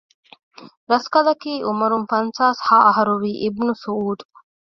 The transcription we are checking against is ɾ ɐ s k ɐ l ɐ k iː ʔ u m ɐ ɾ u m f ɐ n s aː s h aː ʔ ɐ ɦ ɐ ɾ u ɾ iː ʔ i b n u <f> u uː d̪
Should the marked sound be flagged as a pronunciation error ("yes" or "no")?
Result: yes